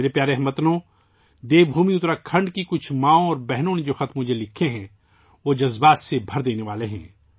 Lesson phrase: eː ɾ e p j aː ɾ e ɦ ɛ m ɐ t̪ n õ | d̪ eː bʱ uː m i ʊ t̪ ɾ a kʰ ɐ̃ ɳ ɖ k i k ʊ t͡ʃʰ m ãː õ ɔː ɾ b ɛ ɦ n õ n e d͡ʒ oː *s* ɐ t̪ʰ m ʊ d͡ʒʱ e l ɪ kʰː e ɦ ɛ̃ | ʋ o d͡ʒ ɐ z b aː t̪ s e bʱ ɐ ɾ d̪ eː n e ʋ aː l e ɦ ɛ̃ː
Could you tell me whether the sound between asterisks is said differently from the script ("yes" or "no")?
yes